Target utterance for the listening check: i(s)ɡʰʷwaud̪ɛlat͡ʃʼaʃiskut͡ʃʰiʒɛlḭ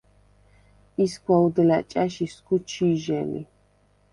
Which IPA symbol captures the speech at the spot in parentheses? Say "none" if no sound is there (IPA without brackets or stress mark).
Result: s